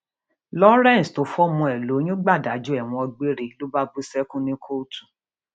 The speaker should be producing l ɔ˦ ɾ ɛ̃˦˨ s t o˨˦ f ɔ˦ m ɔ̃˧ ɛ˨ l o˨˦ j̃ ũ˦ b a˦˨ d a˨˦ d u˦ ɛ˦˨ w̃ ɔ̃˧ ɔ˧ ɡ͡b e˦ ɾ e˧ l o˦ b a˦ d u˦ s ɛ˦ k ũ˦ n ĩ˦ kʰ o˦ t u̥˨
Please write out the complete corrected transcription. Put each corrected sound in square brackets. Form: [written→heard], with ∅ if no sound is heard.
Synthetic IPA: l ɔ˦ ɾ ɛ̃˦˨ s t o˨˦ f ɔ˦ m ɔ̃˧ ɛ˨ l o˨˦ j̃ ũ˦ [b→ɡ͡b] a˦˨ d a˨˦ [d→d͡ʒ] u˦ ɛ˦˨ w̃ ɔ̃˧ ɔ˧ ɡ͡b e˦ ɾ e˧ l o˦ b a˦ [d→b] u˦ s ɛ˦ k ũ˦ n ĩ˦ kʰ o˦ t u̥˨